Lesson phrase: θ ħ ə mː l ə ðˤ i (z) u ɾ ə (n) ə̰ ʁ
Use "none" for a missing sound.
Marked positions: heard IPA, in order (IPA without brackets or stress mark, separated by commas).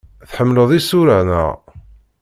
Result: s, n